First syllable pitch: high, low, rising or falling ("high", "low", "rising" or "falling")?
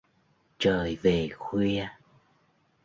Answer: low